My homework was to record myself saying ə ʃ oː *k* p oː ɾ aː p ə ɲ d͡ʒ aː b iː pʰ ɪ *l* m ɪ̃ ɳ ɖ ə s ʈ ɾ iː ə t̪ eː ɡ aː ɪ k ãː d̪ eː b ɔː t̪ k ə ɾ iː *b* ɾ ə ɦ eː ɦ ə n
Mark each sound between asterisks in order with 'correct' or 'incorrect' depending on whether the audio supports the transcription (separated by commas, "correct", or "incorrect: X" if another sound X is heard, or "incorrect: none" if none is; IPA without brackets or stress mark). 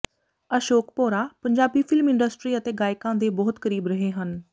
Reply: correct, correct, correct